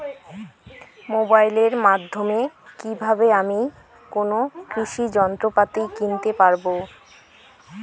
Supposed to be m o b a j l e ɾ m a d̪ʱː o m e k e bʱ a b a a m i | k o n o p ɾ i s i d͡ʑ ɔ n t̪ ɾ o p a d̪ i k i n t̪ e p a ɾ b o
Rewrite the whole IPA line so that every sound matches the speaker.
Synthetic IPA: m o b a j l e ɾ m a d̪ʱː o m e k i bʱ a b e a m i | k o n o k ɾ i ʃ i d͡ʑ ɔ n t̪ ɾ o p a t̪ i k i n t̪ e p a ɾ b o